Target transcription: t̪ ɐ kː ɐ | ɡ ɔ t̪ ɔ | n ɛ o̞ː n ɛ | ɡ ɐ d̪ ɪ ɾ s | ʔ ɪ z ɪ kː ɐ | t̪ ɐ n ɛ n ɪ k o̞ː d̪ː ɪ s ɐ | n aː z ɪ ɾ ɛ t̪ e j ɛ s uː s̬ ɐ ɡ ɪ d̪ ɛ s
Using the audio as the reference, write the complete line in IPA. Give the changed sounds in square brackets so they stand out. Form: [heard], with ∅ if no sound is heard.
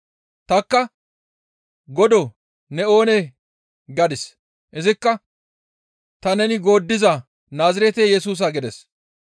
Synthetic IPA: t̪ ɐ kː ɐ | ɡ ɔ [d̪] ɔ | n ɛ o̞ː n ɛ | ɡ ɐ d̪ ɪ [∅] s | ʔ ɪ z ɪ kː ɐ | t̪ ɐ n ɛ n ɪ [ɡ] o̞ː d̪ː ɪ [z] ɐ | n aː z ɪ ɾ ɛ t̪ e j ɛ s uː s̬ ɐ ɡ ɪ d̪ ɛ s